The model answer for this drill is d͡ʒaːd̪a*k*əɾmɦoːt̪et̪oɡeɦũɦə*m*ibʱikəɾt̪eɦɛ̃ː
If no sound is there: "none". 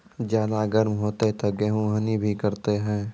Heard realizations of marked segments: ɡ, n

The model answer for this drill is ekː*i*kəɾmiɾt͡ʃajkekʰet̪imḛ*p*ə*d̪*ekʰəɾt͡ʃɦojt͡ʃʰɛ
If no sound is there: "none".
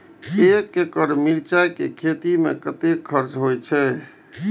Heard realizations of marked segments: e, k, t̪

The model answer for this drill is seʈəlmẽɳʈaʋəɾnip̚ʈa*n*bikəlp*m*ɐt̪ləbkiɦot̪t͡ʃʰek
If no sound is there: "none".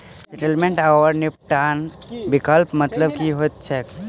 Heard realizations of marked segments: n, m

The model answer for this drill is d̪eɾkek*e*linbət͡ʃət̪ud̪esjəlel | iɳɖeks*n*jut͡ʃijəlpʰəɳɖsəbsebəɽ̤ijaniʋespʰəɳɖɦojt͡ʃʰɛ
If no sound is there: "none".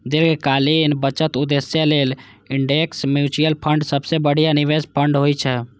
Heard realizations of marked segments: a, m

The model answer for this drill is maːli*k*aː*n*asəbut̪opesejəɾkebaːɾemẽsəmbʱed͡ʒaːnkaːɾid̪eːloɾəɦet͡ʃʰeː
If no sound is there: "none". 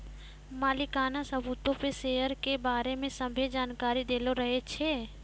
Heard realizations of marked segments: k, n

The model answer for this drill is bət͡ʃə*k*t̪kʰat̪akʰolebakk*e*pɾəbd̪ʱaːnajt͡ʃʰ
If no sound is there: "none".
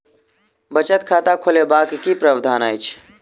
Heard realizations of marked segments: none, i

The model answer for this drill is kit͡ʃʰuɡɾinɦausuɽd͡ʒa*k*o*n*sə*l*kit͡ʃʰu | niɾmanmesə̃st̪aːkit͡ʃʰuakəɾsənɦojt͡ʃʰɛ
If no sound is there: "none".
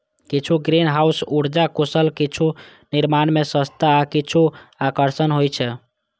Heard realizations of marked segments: k, none, l

